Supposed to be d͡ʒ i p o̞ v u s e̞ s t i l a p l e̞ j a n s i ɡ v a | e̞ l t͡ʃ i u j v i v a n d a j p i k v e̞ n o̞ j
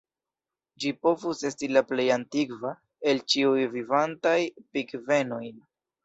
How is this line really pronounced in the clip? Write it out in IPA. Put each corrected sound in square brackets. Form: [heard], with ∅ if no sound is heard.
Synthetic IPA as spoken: d͡ʒ i p o̞ v u s e̞ s t i l a p l e̞ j a n [t] i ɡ v a | e̞ l t͡ʃ i u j v i v a n [t] a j p i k v e̞ n o̞ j

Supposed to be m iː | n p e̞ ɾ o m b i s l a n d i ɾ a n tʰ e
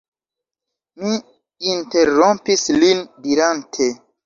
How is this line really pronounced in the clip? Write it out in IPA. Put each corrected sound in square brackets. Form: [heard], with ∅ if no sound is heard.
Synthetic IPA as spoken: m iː | n [t] e̞ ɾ o m [p] i s l [i] n d i ɾ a n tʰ e

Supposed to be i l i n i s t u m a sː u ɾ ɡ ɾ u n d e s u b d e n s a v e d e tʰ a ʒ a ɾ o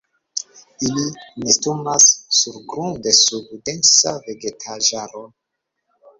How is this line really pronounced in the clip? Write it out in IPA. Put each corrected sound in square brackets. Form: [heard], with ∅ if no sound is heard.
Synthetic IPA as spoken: i l i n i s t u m a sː u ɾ ɡ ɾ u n d e s u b d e n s a v e [ɡ] e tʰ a ʒ a ɾ o

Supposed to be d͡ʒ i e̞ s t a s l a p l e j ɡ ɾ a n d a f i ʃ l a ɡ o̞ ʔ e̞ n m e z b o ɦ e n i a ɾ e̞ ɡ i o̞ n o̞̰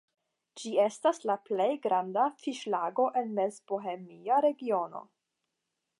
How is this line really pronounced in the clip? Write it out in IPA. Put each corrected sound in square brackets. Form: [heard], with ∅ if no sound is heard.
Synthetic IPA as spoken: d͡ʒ i e̞ s t a s l a p l e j ɡ ɾ a n d a f i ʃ l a ɡ o̞ ʔ e̞ n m e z b o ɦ e [m] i a ɾ e̞ ɡ i o̞ n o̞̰

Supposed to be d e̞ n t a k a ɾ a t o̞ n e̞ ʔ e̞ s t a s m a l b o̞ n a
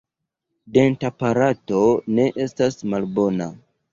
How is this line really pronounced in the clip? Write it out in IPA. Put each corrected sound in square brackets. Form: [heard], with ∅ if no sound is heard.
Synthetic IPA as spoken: d e̞ n t a [p] a ɾ a t o̞ n e̞ ʔ e̞ s t a s m a l b o̞ n a

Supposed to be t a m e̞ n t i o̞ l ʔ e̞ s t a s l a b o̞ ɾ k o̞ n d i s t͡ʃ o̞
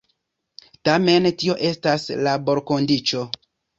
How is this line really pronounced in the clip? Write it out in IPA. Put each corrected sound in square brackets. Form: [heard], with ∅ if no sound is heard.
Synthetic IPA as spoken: t a m e̞ n t i o̞ [∅] ʔ e̞ s t a s l a b o̞ ɾ k o̞ n d i [∅] t͡ʃ o̞

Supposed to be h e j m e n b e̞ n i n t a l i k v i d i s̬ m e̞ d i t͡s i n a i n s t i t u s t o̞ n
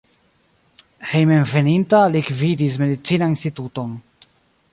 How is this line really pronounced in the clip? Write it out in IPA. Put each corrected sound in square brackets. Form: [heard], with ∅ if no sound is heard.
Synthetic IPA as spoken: h e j m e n [v] e̞ n i n t a l i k v i d i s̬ m e̞ d i t͡s i n a i n s t i t u [∅] t o̞ n

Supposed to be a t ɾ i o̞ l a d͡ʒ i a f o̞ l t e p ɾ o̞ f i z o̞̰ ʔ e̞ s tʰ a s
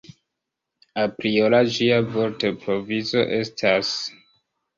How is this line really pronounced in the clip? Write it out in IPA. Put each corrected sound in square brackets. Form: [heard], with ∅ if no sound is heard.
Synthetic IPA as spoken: a [p] ɾ i o̞ l a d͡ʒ i a [v] o̞ [ɾ] t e p ɾ o̞ [v] i z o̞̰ ʔ e̞ s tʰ a s

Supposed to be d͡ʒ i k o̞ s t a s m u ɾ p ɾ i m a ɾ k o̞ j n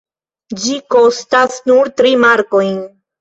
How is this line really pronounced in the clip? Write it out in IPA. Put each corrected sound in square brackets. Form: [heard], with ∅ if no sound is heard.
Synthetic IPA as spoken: d͡ʒ i k o̞ s t a s [n] u ɾ [t] ɾ i m a ɾ k o̞ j n

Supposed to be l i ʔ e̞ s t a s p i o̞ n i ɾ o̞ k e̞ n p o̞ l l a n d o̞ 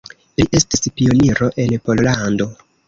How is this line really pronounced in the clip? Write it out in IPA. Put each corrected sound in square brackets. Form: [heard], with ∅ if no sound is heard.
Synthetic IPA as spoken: l i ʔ e̞ s t [i] s p i o̞ n i ɾ o̞ [ʔ] e̞ n p o̞ l l a n d o̞

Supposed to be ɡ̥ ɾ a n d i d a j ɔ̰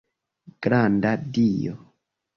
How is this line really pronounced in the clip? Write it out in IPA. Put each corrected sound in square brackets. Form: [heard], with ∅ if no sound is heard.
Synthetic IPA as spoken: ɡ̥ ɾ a n d [a] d [i] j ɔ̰

